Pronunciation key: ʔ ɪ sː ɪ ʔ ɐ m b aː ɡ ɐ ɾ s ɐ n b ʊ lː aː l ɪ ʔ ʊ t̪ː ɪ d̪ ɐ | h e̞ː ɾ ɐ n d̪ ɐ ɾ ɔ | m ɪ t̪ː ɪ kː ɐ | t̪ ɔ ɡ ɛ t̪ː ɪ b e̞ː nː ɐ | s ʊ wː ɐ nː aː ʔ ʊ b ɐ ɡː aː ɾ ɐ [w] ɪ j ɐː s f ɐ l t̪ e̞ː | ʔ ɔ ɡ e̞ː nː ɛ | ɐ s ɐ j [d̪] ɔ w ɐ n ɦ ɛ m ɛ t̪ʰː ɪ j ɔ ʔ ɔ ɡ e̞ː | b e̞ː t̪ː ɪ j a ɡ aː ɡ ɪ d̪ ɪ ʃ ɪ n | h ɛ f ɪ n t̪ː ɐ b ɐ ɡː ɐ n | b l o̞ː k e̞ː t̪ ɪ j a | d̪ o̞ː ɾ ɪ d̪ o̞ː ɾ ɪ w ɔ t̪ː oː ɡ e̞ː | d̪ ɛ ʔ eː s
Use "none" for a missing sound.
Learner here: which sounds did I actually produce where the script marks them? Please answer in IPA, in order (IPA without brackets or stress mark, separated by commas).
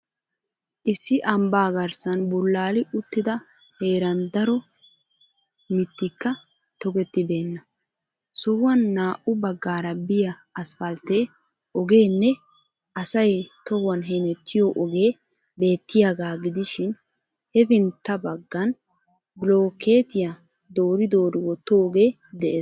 b, t̪